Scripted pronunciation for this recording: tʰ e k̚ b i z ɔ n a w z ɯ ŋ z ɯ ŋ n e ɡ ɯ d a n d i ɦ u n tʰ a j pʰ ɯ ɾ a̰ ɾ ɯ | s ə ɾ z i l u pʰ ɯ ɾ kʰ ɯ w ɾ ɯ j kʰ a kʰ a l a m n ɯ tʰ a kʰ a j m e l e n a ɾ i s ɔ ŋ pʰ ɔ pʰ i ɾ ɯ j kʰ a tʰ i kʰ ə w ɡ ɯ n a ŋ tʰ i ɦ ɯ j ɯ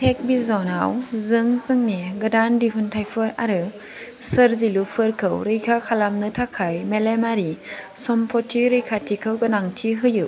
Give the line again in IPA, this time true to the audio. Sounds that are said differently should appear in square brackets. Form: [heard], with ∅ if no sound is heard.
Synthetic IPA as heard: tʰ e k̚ b i z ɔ n a w z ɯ ŋ z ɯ ŋ n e ɡ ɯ d a n d i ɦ u n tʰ a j pʰ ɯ ɾ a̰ ɾ ɯ | s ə ɾ z i l u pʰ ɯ ɾ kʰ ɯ w ɾ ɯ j kʰ a kʰ a l a m n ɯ tʰ a kʰ a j m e l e [m] a ɾ i s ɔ [m] pʰ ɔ [tʰ] i ɾ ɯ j kʰ a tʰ i kʰ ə w ɡ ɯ n a ŋ tʰ i ɦ ɯ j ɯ